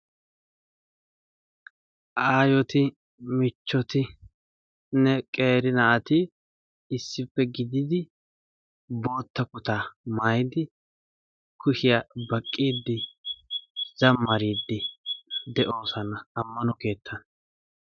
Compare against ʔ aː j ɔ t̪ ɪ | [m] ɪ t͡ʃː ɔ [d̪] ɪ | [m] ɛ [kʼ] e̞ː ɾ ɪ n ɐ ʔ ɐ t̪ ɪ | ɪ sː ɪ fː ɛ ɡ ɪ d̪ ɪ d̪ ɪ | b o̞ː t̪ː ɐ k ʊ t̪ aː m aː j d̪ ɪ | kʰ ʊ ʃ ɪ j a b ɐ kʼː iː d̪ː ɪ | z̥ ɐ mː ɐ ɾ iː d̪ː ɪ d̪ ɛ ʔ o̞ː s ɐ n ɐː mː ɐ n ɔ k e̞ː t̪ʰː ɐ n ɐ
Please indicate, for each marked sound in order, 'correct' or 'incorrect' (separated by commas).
correct, incorrect, incorrect, correct